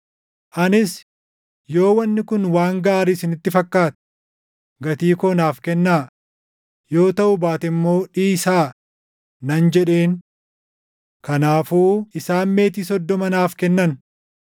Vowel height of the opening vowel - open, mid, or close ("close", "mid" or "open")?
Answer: open